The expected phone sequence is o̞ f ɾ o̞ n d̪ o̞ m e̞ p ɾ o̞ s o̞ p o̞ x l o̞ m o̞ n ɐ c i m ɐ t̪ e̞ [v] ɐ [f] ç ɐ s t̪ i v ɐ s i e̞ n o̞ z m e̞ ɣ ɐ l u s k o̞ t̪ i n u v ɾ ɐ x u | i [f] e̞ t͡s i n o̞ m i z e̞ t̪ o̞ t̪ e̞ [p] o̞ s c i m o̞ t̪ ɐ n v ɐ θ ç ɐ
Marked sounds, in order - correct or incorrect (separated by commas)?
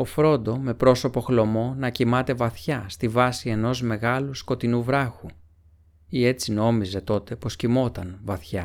correct, incorrect, incorrect, correct